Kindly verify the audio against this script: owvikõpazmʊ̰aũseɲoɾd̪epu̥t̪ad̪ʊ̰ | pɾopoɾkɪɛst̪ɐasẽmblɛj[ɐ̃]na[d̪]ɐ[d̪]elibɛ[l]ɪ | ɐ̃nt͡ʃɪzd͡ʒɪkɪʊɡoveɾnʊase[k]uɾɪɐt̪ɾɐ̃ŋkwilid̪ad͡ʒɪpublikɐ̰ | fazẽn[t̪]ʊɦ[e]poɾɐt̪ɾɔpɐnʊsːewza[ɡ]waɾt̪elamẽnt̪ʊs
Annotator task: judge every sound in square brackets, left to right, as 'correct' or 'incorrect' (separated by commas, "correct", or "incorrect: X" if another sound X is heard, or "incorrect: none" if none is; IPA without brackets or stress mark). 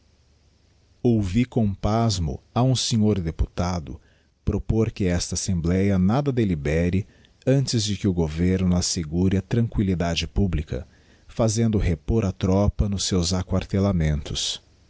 incorrect: ɐ, correct, correct, incorrect: ɾ, incorrect: ɡ, incorrect: d̪, correct, incorrect: k